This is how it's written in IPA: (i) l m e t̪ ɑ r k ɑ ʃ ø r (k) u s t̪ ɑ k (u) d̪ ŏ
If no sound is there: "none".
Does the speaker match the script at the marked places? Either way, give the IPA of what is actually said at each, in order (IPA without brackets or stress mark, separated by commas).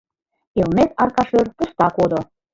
e, p, o